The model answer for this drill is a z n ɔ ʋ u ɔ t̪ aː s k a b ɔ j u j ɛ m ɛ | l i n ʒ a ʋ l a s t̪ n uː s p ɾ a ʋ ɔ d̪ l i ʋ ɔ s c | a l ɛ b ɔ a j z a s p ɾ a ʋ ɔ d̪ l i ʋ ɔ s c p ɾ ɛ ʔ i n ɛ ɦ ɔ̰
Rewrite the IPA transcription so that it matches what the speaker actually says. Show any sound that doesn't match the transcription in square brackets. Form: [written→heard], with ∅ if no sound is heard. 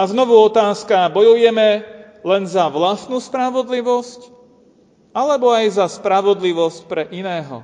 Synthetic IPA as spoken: a z n ɔ ʋ u ɔ t̪ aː s k a b ɔ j u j ɛ m ɛ | l [i→ɛ] n [ʒ→z] a ʋ l a s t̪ n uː s p ɾ a ʋ ɔ d̪ l i ʋ ɔ s c | a l ɛ b ɔ a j z a s p ɾ a ʋ ɔ d̪ l i ʋ ɔ s c p ɾ ɛ ʔ i n [ɛ→ɛː] ɦ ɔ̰